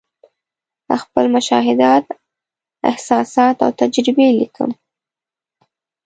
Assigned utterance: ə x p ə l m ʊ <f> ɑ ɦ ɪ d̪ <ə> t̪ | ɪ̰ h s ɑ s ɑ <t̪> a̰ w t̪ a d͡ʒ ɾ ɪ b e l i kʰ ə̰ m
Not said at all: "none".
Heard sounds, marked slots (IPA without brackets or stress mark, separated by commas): ʃ, ɑ, t̪